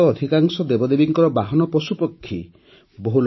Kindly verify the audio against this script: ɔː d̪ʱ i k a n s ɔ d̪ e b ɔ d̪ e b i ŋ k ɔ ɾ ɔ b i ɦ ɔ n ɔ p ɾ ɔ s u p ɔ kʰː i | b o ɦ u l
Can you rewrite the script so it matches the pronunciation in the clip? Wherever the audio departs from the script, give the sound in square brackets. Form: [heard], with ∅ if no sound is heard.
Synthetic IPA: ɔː d̪ʱ i k a [ŋ] s ɔ d̪ e b ɔ d̪ e b i ŋ k ɔ ɾ ɔ b [a] ɦ ɔ n ɔ p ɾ ɔ s u p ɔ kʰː i | b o ɦ u l

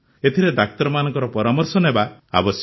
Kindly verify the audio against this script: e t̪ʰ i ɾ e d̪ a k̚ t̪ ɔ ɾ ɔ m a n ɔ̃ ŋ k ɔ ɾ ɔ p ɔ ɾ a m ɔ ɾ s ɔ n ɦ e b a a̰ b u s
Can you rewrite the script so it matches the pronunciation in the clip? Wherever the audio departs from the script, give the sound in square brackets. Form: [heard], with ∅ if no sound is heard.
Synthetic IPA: e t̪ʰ i ɾ e d̪ a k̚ t̪ ɔ ɾ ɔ m a n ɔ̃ ŋ k ɔ ɾ ɔ p ɔ ɾ a m ɔ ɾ s ɔ n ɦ e b a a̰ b [ɔ] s

